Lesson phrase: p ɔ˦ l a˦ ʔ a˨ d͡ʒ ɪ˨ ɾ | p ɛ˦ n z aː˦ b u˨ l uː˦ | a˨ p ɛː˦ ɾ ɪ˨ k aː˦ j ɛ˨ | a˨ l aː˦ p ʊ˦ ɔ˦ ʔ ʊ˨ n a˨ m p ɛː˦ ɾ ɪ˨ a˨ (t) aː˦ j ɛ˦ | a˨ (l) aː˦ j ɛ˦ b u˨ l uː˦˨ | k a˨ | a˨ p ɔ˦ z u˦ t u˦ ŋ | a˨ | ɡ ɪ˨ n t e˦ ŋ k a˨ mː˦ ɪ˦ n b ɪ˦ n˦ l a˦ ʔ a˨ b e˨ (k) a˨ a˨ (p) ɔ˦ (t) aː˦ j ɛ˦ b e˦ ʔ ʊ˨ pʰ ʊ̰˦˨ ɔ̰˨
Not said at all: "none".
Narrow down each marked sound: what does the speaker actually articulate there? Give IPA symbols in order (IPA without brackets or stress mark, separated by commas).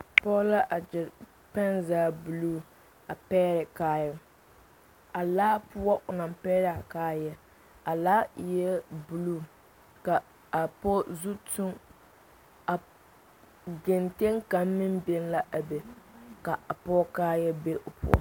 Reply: k, l, k, p, k